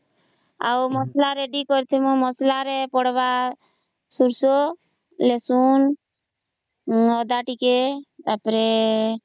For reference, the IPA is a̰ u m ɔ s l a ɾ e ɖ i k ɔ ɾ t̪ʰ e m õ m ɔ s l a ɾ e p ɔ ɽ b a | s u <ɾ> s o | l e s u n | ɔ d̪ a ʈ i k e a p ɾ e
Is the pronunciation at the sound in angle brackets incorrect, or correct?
correct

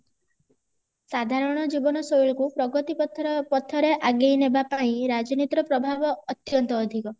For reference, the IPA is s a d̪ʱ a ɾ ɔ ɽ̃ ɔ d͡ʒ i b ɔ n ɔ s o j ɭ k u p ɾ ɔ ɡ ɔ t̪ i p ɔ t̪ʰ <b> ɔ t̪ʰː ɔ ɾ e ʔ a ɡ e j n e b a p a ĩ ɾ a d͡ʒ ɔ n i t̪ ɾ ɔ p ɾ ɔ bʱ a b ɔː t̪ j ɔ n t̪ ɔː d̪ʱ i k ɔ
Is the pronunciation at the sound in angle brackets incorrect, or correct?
incorrect: p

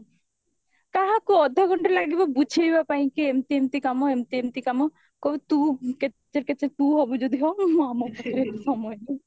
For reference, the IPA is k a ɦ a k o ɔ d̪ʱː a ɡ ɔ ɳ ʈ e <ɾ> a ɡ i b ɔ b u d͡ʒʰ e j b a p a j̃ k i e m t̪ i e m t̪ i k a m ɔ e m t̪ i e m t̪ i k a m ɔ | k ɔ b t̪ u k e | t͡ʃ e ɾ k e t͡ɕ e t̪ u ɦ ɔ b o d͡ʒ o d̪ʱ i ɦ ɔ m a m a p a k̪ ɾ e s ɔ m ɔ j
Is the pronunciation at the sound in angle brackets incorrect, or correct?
incorrect: l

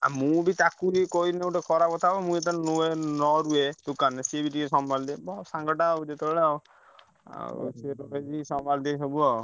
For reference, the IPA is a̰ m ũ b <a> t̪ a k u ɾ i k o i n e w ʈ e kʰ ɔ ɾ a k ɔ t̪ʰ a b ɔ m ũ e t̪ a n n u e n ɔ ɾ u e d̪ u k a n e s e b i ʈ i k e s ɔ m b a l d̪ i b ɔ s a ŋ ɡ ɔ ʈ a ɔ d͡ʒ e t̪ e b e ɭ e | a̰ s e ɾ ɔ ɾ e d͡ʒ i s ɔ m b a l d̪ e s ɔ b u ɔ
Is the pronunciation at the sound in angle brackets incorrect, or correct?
incorrect: i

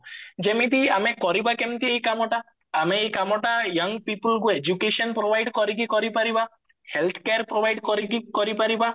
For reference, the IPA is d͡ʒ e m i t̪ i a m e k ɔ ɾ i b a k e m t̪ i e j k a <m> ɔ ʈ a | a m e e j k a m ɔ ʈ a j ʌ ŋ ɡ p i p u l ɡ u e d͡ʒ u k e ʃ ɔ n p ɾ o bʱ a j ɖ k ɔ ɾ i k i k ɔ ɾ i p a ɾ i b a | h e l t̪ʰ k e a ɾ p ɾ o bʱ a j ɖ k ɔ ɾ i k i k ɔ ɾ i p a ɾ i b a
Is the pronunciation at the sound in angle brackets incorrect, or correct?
correct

